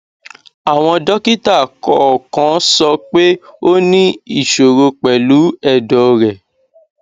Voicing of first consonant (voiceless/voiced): voiced